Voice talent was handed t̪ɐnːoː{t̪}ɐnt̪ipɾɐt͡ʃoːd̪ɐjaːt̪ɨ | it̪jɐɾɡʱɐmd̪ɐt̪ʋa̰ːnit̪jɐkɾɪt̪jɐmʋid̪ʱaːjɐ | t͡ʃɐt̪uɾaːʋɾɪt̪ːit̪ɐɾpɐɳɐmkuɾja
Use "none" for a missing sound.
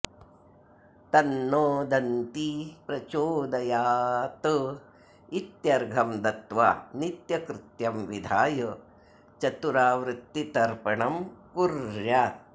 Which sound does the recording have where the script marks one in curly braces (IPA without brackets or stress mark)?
d̪